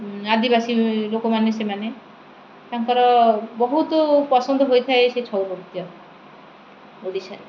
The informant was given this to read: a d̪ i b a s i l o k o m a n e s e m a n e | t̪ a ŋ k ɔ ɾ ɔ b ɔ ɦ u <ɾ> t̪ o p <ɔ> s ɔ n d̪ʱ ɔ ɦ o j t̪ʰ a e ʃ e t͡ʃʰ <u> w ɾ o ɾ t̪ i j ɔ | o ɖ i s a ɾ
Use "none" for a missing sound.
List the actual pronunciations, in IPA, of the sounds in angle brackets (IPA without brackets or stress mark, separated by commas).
none, ɔ, ɔ